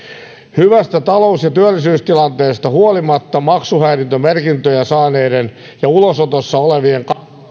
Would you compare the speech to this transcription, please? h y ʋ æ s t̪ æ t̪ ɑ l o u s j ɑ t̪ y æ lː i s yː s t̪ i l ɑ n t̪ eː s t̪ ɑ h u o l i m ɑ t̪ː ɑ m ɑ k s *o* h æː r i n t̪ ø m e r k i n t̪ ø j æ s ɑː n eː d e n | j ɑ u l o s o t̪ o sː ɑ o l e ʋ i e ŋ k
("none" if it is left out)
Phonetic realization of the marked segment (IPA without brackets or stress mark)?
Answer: u